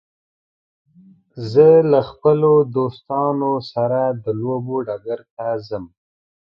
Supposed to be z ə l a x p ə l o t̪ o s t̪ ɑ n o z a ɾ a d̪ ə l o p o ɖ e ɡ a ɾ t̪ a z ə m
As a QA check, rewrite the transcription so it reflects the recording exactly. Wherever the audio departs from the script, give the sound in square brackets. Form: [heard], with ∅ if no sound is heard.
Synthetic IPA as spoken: z ə l a x p ə l o [d̪] o s t̪ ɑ n o [s] a ɾ a d̪ ə l o [b] o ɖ [a] ɡ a ɾ t̪ a z ə m